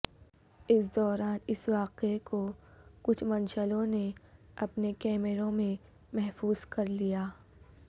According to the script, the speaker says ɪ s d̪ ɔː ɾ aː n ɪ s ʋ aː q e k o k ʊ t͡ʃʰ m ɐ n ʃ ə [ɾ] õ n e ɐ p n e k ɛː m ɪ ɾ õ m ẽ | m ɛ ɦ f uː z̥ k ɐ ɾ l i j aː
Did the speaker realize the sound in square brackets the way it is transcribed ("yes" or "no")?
no